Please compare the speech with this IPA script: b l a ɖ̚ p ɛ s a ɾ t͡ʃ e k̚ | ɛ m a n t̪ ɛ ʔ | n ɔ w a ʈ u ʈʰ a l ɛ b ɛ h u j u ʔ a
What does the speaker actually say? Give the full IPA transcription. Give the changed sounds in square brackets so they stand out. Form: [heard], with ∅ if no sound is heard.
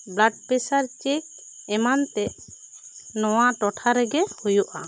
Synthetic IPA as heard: b l a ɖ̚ p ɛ s a ɾ t͡ʃ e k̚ | ɛ m a n t̪ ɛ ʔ | n ɔ w a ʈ [ɔ] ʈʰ a [ɾ] ɛ [ɡ] ɛ h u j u ʔ a

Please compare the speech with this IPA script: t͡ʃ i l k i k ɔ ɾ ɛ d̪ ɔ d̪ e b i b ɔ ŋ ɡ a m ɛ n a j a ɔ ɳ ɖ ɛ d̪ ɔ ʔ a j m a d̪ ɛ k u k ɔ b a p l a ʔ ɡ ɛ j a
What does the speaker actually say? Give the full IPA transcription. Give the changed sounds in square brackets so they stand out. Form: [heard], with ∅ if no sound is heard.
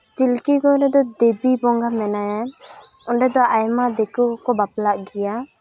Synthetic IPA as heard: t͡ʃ i l k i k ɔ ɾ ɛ d̪ ɔ d̪ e b i b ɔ ŋ ɡ a m ɛ n a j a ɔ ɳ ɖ ɛ d̪ ɔ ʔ a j m a d̪ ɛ k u k ɔ b a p l a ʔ ɡ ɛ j a

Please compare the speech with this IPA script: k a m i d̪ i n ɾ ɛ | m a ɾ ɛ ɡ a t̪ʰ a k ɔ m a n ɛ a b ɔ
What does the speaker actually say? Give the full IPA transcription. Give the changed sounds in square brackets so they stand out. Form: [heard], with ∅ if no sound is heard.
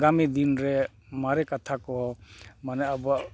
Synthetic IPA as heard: [ɡ] a m i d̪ i n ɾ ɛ | m a ɾ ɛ [k] a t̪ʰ a k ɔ m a n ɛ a b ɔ

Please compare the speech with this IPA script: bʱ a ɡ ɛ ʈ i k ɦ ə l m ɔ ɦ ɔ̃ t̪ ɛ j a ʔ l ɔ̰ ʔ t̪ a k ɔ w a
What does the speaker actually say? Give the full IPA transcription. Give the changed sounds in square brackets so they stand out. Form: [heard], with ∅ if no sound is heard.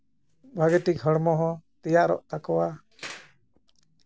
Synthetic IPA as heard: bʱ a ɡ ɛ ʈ i k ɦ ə [ɽ] m ɔ ɦ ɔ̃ t̪ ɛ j a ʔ [ɾ] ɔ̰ ʔ t̪ a k ɔ w a

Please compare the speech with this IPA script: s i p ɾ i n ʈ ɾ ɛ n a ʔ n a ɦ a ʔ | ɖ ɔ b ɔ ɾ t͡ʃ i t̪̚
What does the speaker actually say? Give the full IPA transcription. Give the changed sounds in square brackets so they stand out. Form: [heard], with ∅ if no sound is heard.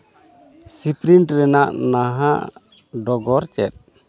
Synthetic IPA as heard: s i p ɾ i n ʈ ɾ ɛ n a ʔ n a ɦ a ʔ | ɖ ɔ [ɡ] ɔ ɾ t͡ʃ [ɛ] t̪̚

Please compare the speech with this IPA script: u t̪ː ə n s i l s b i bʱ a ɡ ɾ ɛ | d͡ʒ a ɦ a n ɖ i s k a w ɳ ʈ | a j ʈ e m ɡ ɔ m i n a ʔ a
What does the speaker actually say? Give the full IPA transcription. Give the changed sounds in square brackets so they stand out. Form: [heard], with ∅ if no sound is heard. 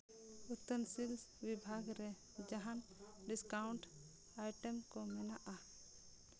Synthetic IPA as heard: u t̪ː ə n s i l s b i bʱ a ɡ ɾ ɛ | d͡ʒ a ɦ a n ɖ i s k a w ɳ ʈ | a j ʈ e m [k] ɔ m [ɛ] n a ʔ a

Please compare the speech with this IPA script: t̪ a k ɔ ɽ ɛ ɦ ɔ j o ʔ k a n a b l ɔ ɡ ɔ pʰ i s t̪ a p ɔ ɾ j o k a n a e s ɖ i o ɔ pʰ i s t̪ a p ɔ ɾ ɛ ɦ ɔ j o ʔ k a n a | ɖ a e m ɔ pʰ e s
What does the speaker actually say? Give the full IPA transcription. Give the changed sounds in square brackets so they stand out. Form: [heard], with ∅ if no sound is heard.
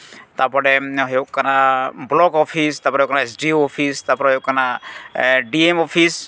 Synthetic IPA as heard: t̪ a [p] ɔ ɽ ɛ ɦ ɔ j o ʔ k a n a b l ɔ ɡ ɔ pʰ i s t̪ a p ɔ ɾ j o k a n a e s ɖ i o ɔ pʰ i s t̪ a p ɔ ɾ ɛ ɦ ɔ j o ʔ k a n a | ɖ [i] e m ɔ pʰ [i] s

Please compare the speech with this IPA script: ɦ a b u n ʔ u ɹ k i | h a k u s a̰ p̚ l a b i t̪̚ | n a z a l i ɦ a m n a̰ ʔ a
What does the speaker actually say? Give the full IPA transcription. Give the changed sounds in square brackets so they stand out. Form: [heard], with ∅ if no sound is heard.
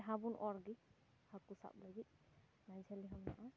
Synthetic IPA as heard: ɦ a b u n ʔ [ɔ] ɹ [ɡ] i | h a k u s a̰ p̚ l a [ɡ] i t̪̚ | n a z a l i ɦ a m n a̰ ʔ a

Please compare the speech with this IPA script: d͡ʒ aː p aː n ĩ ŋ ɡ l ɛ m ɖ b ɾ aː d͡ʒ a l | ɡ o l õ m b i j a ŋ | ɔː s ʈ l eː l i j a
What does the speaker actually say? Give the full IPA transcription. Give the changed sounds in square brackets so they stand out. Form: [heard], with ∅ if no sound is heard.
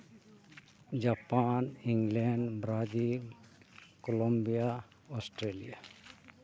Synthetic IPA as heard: d͡ʒ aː p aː n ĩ ŋ ɡ l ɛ [ɳ] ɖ b ɾ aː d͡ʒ [i] l | [k] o l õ m b i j a [∅] | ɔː s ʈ [ɾ] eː l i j a

